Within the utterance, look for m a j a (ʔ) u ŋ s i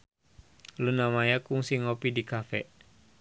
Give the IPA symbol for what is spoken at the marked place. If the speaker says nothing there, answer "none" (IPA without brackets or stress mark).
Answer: k